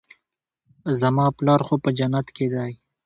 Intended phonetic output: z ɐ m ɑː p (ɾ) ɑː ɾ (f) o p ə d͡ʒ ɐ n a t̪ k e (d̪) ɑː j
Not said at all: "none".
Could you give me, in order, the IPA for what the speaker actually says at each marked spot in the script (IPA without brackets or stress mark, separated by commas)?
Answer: l, x, d̪